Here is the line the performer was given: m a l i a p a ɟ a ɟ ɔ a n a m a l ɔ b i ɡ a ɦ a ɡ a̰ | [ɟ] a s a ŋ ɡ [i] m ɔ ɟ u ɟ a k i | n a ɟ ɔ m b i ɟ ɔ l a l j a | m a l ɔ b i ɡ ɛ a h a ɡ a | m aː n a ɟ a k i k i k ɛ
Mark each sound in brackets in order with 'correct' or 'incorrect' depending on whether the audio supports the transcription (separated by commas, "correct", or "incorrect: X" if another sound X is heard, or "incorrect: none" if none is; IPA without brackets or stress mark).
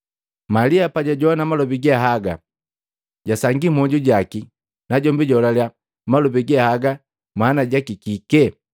correct, correct